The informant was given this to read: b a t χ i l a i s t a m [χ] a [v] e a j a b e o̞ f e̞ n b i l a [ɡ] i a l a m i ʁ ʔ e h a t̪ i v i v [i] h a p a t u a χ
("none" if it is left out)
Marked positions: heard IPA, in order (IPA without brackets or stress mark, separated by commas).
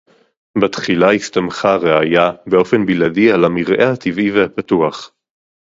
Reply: χ, ʁ, d, e